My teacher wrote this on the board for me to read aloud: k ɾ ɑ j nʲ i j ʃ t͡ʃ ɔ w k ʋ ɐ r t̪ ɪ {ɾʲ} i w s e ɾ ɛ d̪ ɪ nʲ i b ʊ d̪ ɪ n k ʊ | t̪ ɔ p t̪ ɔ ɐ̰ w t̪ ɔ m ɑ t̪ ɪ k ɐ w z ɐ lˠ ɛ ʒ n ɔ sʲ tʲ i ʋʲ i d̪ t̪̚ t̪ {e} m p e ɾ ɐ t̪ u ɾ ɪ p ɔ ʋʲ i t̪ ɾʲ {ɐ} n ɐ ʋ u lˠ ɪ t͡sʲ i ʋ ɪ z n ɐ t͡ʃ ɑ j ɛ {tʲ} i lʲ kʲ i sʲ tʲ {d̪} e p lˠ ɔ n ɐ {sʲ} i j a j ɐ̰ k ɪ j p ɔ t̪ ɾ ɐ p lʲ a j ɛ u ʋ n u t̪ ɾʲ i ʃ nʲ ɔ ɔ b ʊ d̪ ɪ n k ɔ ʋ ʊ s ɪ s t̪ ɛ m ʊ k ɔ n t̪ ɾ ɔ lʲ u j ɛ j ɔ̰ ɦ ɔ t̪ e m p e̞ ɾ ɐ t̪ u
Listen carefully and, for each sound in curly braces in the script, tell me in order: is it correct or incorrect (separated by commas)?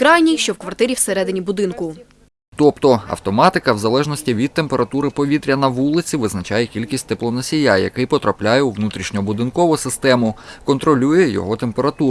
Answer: correct, correct, correct, incorrect, incorrect, correct